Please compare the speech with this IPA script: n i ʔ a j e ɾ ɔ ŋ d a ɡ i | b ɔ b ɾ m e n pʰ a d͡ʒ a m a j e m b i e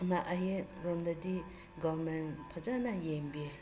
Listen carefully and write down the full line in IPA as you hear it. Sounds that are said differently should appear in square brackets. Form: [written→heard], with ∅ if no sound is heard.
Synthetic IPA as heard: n [i→a] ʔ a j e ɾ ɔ [ŋ→m] d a [ɡ→d] i | [b→ɡ] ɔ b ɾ m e n pʰ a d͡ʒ a [m→n] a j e m b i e